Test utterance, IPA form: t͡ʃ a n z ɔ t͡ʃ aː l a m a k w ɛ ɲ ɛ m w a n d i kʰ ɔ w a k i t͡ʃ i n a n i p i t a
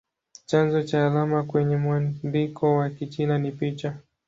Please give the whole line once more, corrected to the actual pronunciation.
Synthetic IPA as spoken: t͡ʃ a n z ɔ t͡ʃ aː l a m a k w ɛ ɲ ɛ m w a n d i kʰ ɔ w a k i t͡ʃ i n a n i p i t͡ʃ a